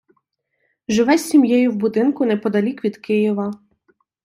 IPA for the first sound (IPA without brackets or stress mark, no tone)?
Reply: ʒ